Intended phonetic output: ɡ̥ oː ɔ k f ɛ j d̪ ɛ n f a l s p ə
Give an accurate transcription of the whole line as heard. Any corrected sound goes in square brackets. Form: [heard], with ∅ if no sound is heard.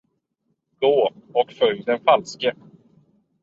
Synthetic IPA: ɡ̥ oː ɔ k f [œ] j d̪ ɛ n f a l s [k] ə